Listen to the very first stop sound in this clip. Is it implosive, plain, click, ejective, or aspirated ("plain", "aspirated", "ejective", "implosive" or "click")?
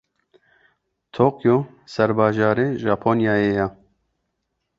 aspirated